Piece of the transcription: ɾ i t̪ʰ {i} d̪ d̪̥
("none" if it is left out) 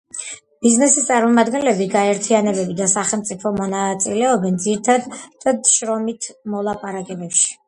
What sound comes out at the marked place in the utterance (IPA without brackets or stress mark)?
a